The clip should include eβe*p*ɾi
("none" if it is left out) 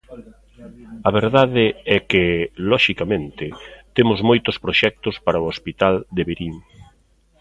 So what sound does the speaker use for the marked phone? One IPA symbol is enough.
none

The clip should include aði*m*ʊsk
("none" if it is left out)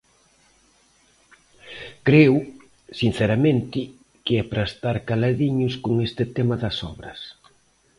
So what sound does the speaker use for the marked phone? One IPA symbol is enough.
ɲ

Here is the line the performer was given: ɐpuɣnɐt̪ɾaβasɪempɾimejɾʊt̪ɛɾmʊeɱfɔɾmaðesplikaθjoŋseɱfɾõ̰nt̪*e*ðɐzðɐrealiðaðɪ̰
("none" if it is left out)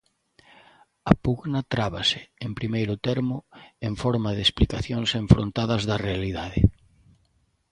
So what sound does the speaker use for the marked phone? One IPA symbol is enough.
a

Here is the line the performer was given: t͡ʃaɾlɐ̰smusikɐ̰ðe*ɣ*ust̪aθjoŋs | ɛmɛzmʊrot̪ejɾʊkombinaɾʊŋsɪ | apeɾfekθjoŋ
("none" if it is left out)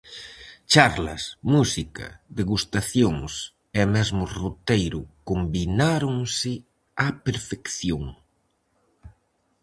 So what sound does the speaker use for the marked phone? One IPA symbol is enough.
ɣ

